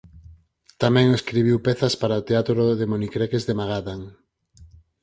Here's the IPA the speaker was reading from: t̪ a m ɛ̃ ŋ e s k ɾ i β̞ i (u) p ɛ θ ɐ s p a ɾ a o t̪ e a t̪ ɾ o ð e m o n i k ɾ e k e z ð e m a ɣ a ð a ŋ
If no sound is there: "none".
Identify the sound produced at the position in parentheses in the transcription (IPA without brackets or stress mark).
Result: w